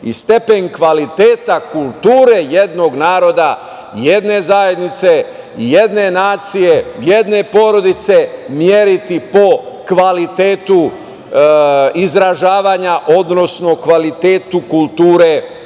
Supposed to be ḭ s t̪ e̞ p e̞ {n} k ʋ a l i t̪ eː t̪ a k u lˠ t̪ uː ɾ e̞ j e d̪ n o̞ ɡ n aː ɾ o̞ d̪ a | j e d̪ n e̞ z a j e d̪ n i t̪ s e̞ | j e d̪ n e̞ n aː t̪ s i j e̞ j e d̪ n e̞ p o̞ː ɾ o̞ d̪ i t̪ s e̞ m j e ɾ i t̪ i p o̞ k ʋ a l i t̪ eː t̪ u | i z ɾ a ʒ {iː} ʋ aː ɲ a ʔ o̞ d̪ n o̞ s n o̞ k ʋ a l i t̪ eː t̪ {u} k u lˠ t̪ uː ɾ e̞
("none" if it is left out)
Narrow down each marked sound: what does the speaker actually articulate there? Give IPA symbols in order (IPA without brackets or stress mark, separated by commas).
ɲ, aː, u